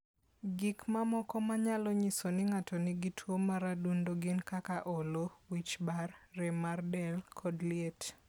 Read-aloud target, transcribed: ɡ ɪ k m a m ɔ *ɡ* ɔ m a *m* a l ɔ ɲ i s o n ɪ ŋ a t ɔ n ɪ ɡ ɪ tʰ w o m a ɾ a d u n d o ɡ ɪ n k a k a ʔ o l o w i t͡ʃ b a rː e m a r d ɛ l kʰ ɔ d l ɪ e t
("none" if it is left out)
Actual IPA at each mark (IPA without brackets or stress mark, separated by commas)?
k, ɲ